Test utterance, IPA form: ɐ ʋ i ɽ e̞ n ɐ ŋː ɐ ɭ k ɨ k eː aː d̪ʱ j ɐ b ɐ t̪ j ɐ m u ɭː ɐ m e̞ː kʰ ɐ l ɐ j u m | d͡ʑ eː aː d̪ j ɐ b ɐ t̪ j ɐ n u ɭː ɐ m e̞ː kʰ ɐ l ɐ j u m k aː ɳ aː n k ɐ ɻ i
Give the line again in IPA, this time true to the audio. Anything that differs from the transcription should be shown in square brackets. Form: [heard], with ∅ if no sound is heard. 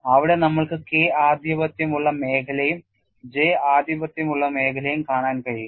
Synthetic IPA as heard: ɐ ʋ i ɽ e̞ n ɐ [mː] ɐ ɭ k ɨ k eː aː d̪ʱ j ɐ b ɐ t̪ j ɐ m u ɭː ɐ m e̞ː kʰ ɐ l ɐ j u m | d͡ʑ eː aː d̪ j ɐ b ɐ t̪ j ɐ [m] u ɭː ɐ m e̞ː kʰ ɐ l ɐ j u m k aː ɳ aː n k ɐ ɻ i